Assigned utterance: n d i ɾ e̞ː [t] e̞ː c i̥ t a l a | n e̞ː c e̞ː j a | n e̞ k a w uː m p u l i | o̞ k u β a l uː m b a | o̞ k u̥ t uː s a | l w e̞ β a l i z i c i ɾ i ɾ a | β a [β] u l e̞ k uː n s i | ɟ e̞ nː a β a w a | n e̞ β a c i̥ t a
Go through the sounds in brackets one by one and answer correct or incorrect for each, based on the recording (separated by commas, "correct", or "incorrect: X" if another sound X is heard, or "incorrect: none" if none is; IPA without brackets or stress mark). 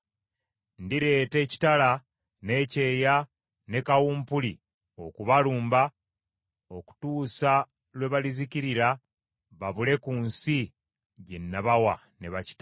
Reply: correct, correct